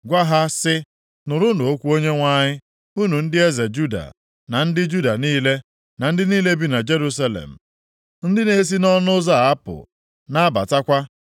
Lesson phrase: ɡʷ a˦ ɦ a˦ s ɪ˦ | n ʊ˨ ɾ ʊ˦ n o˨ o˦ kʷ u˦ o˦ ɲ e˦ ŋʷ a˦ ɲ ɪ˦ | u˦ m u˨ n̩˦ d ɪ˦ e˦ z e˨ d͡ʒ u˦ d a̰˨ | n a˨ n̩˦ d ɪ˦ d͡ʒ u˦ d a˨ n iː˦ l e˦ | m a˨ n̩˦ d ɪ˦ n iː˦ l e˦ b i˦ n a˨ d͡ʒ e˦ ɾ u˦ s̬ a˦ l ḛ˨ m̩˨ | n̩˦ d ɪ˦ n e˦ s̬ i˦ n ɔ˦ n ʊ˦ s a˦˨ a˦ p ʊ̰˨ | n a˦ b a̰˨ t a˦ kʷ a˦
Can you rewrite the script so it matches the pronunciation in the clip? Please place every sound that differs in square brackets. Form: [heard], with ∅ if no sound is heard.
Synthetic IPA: ɡʷ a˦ ɦ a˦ s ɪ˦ | n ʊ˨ ɾ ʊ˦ n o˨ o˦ kʷ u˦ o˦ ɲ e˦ ŋʷ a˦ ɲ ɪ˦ | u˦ [n] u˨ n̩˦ d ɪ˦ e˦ z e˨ d͡ʒ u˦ d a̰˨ | n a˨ n̩˦ d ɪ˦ d͡ʒ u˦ d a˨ n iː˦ l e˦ | [n] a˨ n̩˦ d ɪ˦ n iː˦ l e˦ b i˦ n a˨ d͡ʒ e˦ ɾ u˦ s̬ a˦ l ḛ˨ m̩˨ | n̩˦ d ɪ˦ n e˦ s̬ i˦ n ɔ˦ n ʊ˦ [z] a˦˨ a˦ p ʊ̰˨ | n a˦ b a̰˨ t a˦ kʷ a˦